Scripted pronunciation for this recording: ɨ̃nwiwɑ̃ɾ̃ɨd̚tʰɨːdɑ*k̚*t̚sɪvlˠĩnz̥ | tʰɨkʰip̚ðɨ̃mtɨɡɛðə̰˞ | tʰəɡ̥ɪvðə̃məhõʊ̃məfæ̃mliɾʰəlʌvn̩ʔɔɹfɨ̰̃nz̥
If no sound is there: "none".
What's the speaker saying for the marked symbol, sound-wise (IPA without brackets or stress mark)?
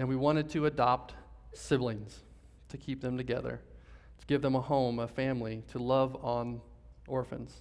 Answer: p̚